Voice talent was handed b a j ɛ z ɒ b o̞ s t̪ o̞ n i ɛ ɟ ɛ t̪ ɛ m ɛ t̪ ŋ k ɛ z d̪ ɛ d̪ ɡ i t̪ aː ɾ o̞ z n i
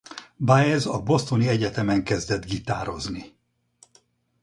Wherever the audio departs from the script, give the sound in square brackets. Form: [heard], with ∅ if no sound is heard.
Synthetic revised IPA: b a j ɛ z ɒ b o̞ s t̪ o̞ n i ɛ ɟ ɛ t̪ ɛ m ɛ [∅] ŋ k ɛ z d̪ ɛ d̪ ɡ i t̪ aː ɾ o̞ z n i